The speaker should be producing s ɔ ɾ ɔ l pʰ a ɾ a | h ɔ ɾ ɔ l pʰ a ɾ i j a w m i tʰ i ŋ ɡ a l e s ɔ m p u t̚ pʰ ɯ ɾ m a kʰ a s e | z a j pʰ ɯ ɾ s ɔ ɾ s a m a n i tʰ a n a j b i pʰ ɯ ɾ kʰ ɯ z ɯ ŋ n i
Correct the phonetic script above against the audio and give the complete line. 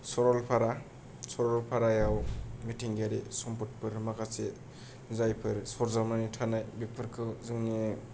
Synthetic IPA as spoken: s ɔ ɾ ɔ l pʰ a ɾ a | s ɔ ɾ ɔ l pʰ a ɾ a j a w m i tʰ i ŋ ɡ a ɾ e s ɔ m p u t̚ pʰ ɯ ɾ m a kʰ a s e | z a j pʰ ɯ ɾ s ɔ ɾ z a m a n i tʰ a n a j b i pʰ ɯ ɾ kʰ ɯ z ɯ ŋ n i